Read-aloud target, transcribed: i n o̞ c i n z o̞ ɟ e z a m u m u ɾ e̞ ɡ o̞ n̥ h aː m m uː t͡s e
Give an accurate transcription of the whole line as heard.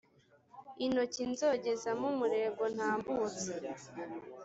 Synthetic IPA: i n o̞ c i n z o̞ ɟ e z a m u m u ɾ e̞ ɡ o̞ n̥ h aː m b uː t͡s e

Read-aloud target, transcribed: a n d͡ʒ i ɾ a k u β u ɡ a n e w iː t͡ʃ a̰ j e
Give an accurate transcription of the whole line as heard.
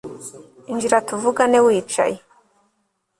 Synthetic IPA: i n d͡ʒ i ɾ a t u v u ɡ a n e w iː t͡ʃ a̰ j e

